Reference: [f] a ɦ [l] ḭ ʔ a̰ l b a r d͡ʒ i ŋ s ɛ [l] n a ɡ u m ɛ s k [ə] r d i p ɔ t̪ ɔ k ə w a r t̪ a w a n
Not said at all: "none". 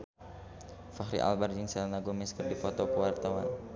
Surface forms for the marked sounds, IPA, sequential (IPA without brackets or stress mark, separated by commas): f, ɾ, l, ə